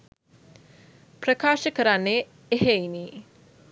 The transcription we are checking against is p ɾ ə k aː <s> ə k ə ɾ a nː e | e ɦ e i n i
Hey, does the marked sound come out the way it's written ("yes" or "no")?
no